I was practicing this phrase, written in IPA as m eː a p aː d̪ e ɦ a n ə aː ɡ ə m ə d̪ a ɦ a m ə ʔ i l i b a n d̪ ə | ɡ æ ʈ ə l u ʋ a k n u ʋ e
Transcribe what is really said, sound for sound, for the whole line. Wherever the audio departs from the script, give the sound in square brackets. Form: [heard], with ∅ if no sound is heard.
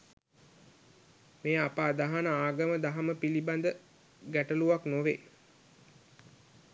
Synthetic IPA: m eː a p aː d̪ [a] ɦ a n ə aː ɡ ə m ə d̪ a ɦ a m ə [p] i l i b a n d̪ ə | ɡ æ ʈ ə l u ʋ a k n [o] ʋ e